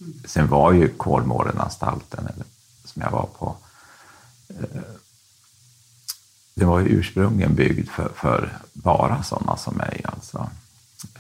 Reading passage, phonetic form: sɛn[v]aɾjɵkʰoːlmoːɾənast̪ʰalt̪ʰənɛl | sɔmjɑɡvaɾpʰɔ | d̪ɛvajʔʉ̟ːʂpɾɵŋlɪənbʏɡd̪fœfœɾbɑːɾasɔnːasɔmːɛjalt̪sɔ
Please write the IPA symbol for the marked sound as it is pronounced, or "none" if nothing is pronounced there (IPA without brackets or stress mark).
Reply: v